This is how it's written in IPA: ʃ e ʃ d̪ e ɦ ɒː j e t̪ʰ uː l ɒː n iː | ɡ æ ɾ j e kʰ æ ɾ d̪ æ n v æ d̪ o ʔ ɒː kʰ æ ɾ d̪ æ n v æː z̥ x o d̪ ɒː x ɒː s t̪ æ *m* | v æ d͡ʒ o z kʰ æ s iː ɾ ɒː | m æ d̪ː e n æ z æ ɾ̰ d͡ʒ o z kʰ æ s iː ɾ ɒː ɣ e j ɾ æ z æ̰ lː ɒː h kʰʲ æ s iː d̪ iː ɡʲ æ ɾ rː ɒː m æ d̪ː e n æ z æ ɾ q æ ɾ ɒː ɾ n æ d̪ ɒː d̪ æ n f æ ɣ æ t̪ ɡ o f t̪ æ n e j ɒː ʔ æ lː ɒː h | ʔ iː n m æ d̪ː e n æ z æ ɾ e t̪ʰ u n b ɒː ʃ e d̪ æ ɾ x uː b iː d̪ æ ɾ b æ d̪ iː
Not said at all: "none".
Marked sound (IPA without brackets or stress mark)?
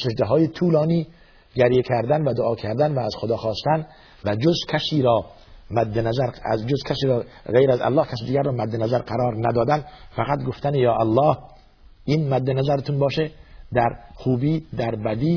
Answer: n